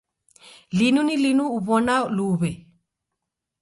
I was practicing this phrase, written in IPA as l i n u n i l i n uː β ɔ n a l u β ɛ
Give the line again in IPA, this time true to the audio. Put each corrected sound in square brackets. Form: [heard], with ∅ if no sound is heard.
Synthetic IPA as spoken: l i n u n i l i n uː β ɔ n a l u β ɛ

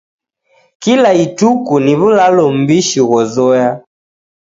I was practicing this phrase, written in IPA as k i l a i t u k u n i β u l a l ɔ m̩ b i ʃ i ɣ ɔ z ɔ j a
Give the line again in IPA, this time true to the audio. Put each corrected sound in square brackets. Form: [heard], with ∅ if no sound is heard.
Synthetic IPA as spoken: k i l a i t u k u n i β u l a l ɔ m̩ b i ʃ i ɣ ɔ z ɔ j a

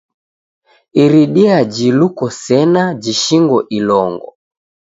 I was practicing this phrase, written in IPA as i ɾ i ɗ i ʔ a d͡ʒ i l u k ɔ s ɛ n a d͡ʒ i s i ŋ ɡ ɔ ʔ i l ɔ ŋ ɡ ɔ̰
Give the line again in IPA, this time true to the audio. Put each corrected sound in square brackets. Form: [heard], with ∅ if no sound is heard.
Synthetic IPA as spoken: i ɾ i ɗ i [∅] a d͡ʒ i l u k ɔ s ɛ n a d͡ʒ i [ʃ] i ŋ ɡ ɔ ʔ i l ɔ ŋ ɡ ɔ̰

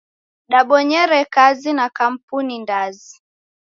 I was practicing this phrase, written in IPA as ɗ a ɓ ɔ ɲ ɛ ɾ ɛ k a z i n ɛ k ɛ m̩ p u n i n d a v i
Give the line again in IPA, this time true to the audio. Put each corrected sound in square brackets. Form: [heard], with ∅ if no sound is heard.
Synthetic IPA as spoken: ɗ a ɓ ɔ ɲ ɛ ɾ ɛ k a z i n [a] k [a] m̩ p u n i n d a [z] i

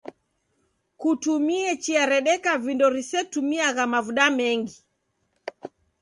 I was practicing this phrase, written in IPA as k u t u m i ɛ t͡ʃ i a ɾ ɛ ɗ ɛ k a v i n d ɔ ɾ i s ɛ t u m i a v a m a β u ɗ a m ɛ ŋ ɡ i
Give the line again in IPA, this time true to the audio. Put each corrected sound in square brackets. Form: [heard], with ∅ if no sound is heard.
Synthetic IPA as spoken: k u t u m i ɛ t͡ʃ i a ɾ ɛ ɗ ɛ k a v i n d ɔ ɾ i s ɛ t u m i a [ɣ] a m a [v] u ɗ a m ɛ ŋ ɡ i

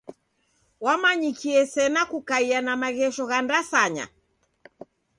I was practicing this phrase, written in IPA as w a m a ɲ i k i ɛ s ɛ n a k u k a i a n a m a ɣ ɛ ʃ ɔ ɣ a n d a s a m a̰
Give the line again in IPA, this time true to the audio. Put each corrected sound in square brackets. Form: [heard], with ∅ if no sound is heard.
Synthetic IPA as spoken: w a m a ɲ i k i ɛ s ɛ n a k u k a i a n a m a ɣ ɛ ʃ ɔ ɣ a n d a s a [ɲ] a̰

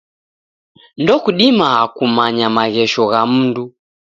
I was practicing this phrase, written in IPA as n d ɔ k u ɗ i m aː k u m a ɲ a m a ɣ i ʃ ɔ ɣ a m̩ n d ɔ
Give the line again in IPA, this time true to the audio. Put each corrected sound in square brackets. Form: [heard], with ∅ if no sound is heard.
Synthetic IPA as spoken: n d ɔ k u ɗ i m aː k u m a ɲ a m a ɣ [ɛ] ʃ ɔ ɣ a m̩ n d [u]

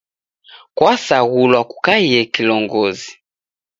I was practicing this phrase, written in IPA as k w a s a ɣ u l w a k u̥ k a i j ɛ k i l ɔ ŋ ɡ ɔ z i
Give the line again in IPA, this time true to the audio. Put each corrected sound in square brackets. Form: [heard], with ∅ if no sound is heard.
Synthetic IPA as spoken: k w a s a ɣ u l w a k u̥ k a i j ɛ k i l ɔ ŋ ɡ ɔ z i

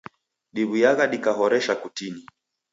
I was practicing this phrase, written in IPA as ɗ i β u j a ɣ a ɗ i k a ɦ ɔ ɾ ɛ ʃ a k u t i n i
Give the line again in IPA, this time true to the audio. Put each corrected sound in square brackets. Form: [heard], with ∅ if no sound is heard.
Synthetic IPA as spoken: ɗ i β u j a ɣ a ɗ i k a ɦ ɔ ɾ ɛ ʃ a k u t i n i

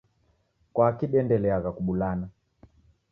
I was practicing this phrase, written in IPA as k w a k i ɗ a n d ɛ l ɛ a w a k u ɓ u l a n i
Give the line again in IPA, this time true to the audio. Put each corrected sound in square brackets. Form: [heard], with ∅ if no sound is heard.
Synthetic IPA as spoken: k w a k i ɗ [ɛ] n d ɛ l ɛ a [ɣ] a k u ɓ u l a n [a]

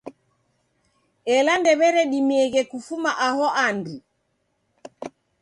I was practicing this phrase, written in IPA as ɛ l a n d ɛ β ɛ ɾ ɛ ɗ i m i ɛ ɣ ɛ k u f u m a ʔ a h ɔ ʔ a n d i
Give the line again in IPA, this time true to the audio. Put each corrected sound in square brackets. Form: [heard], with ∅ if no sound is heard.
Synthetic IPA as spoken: ɛ l a n d ɛ β ɛ ɾ ɛ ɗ i m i ɛ ɣ ɛ k u f u m a ʔ a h ɔ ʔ a n d i

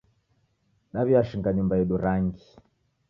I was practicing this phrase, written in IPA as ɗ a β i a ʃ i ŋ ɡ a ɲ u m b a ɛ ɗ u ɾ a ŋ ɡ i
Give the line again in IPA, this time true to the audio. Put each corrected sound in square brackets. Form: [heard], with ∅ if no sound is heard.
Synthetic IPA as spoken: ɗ a β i a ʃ i ŋ ɡ a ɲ u m b a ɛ ɗ u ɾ a ŋ ɡ i

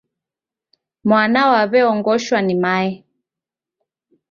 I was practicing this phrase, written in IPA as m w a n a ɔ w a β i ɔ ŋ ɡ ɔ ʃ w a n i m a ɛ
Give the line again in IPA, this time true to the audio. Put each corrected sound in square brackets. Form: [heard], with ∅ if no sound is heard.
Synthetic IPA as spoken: m w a n a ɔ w a β [ɛ] ɔ ŋ ɡ ɔ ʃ w a n i m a ɛ

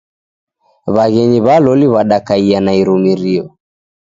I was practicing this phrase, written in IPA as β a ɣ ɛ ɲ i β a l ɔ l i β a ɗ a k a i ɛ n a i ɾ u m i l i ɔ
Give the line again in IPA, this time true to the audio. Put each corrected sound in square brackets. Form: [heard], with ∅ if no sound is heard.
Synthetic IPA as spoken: β a ɣ ɛ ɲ i β a l ɔ l i β a ɗ a k a i [a] n a i ɾ u m i [ɾ] i ɔ

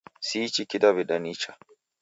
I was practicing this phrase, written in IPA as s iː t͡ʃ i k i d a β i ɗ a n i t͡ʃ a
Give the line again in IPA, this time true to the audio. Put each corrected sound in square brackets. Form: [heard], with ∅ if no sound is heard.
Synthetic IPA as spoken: s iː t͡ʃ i k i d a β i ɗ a n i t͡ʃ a

